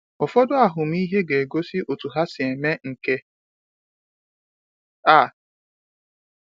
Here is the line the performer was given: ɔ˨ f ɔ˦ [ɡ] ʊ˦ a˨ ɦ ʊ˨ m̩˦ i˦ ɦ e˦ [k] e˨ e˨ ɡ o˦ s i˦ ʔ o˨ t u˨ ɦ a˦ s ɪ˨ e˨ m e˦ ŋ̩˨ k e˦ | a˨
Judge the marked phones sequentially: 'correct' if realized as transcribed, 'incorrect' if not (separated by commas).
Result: incorrect, incorrect